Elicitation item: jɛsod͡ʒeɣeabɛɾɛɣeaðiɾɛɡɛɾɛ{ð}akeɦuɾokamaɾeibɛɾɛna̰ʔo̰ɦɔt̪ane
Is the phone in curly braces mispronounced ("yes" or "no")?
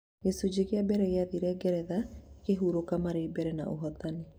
no